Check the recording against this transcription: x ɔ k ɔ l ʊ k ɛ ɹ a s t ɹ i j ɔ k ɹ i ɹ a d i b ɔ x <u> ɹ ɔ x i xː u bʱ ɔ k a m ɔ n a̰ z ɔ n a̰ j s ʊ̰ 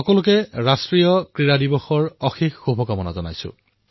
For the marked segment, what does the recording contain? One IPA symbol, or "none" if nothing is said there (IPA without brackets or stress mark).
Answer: ɔ